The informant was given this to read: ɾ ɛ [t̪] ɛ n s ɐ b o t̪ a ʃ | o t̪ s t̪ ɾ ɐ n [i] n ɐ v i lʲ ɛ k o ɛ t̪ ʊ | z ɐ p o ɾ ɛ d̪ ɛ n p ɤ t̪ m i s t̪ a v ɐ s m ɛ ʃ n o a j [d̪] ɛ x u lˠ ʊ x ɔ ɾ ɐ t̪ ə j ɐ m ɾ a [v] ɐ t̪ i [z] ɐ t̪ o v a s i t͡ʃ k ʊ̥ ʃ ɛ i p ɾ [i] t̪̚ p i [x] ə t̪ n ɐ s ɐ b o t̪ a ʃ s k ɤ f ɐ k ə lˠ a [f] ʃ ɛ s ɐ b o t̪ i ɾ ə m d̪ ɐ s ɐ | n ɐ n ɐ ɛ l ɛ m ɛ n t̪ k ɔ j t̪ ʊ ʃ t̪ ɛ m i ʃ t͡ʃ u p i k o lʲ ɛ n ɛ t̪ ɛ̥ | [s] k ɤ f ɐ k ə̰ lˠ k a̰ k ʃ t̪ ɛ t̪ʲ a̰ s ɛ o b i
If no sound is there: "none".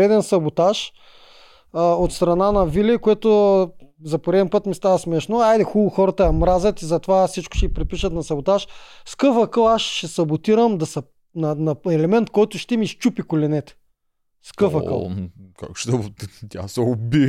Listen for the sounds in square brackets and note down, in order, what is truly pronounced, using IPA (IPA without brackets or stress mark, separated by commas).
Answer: d̪, a, d̪, z, z, ɛ, ʃ, ʃ, s